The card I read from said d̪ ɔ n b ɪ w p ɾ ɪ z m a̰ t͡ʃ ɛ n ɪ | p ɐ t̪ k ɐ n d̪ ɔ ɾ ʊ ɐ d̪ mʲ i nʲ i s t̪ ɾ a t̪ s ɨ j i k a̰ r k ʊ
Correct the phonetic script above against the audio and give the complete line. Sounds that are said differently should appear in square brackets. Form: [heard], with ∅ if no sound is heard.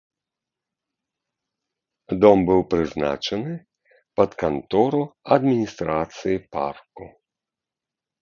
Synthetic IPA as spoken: d̪ ɔ [m] b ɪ w p ɾ ɪ z [n] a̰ t͡ʃ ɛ n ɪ | p ɐ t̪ k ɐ n [t̪] ɔ ɾ ʊ ɐ d̪ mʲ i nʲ i s t̪ ɾ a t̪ s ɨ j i [p] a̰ r k ʊ